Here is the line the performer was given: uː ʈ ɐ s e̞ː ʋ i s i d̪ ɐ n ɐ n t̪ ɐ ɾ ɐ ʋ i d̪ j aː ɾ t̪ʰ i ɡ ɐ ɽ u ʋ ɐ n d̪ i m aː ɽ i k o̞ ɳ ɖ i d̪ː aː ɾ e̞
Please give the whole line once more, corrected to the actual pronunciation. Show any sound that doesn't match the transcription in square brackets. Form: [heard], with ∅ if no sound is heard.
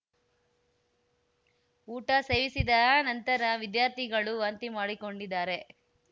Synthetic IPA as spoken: uː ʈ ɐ s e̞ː ʋ i s i d̪ ɐ n ɐ n t̪ ɐ ɾ ɐ ʋ i d̪ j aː ɾ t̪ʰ i ɡ ɐ [ɭ] u ʋ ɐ n [t̪] i m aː ɽ i k o̞ ɳ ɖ i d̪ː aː ɾ e̞